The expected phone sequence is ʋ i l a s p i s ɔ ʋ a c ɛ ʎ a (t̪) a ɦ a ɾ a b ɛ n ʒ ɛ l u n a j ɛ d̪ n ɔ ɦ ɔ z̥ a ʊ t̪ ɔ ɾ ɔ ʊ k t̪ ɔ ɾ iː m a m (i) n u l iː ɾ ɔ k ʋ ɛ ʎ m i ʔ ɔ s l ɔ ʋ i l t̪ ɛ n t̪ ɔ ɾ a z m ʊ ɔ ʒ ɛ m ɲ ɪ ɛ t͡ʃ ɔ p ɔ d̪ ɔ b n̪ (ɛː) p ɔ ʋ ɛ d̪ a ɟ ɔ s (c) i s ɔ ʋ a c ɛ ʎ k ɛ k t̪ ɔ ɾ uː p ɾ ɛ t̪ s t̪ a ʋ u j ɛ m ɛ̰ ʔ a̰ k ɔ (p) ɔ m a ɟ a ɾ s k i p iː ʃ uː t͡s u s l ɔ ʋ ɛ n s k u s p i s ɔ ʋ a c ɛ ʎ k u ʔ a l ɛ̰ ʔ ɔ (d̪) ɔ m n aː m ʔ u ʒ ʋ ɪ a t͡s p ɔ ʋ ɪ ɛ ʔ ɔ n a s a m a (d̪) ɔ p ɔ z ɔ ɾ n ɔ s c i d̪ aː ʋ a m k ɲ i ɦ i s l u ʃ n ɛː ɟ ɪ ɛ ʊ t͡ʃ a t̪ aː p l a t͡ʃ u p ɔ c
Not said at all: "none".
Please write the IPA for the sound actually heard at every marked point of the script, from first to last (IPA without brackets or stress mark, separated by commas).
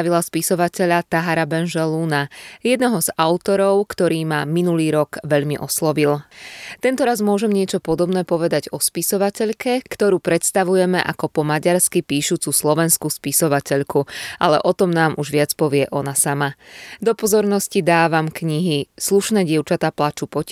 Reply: t̪, i, ɛː, p, p, t̪, d̪